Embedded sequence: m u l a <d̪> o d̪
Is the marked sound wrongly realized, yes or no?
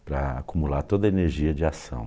yes